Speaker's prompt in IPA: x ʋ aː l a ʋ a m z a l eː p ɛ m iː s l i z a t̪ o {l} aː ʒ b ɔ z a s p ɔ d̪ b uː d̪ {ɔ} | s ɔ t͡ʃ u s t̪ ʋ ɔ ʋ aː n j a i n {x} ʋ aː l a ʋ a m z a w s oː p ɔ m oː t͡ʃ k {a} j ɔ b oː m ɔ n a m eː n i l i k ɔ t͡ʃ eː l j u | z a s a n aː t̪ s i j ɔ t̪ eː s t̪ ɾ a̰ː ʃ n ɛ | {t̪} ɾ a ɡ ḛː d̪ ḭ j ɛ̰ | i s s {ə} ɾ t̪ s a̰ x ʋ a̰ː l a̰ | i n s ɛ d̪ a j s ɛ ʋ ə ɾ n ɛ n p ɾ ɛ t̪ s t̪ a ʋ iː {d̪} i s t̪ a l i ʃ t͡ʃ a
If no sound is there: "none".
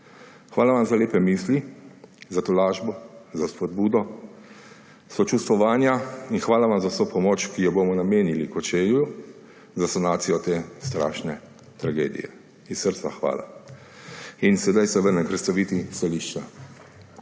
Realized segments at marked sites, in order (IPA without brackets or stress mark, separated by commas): l, ɔ, x, i, t̪, ə, t̪